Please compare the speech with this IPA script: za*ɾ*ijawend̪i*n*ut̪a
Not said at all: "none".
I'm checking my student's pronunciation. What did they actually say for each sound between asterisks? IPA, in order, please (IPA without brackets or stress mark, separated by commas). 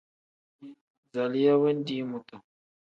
l, m